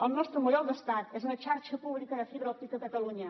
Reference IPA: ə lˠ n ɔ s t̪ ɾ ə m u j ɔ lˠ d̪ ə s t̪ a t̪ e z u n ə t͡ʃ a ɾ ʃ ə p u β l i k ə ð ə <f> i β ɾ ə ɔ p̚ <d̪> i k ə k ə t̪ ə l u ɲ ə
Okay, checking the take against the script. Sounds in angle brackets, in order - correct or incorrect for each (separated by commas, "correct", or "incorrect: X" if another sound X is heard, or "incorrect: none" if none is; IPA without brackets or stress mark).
correct, incorrect: t̪